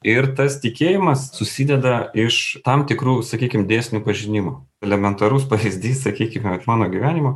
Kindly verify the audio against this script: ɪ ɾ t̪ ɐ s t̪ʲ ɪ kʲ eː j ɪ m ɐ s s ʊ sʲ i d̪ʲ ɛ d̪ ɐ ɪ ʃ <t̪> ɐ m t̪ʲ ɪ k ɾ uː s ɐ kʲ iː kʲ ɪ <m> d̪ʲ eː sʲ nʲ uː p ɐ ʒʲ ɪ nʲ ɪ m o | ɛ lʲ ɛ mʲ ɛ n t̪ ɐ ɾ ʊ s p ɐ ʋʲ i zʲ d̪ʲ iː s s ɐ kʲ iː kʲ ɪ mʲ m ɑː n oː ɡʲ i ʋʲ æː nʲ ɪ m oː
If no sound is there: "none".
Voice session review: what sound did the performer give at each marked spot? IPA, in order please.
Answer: t̪, m

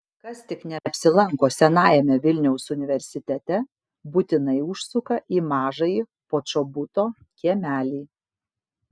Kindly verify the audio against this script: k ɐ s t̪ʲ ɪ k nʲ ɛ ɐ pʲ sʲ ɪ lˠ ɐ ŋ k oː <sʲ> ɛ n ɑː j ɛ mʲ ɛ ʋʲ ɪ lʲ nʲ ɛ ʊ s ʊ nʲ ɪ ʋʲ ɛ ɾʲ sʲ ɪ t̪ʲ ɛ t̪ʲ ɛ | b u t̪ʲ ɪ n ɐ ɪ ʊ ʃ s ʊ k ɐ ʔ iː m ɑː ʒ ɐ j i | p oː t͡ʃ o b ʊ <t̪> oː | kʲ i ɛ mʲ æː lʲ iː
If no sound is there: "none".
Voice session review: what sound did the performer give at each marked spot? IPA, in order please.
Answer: sʲ, t̪

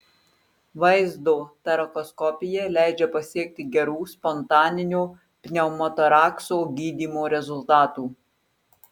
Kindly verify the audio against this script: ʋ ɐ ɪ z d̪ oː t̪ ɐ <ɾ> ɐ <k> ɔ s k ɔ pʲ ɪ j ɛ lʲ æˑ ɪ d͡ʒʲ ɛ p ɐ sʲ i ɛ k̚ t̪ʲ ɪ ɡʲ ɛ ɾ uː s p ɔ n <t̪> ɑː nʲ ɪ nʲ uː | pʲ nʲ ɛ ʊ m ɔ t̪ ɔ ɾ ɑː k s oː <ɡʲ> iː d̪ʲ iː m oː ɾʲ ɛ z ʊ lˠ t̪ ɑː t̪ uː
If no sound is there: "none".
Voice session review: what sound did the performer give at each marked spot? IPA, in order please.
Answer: ɾ, k, t̪, ɡʲ

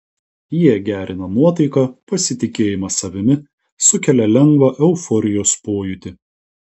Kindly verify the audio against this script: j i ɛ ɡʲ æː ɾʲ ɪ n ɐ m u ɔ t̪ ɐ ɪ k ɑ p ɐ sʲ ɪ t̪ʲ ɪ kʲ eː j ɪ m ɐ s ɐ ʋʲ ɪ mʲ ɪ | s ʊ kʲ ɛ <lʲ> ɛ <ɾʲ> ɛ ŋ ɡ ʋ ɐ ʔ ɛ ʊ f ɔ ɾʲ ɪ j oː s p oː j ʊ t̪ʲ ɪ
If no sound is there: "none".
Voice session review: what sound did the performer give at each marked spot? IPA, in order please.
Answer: lʲ, lʲ

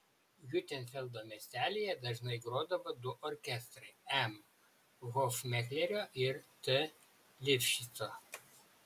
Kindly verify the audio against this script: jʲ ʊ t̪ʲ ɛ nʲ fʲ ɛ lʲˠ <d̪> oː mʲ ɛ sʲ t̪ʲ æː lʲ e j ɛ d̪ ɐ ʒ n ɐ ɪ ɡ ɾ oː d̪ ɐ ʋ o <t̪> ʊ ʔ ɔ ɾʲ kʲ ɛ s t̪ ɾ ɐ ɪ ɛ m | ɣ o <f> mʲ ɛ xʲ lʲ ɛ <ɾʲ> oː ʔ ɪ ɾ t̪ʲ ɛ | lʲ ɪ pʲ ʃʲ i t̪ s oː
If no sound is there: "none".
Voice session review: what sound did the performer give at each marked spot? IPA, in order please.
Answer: d̪, d̪, f, ɾʲ

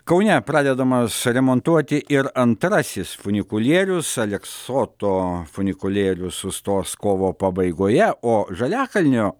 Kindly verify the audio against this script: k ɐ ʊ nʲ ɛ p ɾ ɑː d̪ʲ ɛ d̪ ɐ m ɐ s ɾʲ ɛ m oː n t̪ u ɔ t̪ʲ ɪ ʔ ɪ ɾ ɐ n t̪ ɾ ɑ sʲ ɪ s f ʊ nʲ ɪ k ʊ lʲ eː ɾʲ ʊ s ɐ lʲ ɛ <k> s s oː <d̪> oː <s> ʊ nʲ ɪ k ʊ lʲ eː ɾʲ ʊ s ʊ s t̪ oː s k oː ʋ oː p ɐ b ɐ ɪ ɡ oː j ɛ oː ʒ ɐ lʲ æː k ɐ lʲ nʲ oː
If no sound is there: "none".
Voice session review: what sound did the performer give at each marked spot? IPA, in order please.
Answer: k, t̪, f

